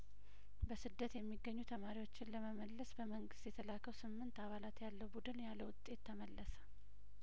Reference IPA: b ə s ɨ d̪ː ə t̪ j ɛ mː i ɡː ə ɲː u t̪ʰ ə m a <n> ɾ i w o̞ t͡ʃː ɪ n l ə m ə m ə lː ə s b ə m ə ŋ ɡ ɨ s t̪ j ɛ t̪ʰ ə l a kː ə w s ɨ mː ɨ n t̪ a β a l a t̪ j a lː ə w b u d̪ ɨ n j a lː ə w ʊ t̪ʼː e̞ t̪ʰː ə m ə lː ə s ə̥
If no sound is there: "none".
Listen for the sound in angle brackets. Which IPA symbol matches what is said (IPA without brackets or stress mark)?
none